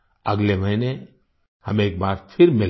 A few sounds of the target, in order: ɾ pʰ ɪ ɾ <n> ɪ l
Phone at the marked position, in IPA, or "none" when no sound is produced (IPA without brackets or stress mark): m